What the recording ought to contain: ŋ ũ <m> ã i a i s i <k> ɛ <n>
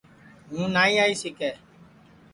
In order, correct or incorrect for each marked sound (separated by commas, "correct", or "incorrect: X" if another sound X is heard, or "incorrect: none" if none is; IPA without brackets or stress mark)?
incorrect: n, correct, incorrect: none